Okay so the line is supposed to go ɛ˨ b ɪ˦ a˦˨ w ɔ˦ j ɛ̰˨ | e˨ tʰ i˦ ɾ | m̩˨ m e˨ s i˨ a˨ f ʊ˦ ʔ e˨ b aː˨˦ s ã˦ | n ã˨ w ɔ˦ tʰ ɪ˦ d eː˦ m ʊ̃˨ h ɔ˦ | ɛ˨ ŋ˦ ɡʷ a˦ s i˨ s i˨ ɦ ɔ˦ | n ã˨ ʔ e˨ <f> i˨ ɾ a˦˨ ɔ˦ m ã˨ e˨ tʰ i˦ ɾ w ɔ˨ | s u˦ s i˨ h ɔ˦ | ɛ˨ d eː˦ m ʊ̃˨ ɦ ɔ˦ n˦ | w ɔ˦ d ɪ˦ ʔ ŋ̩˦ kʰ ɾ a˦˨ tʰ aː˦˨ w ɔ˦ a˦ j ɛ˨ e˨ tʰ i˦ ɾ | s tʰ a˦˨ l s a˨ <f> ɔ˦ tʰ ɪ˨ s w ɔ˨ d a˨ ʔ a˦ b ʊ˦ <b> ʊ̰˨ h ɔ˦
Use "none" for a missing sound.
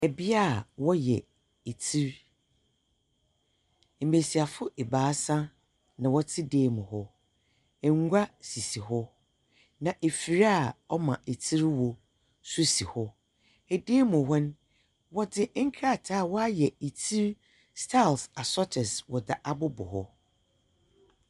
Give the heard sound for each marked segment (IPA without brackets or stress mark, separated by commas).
f, s, b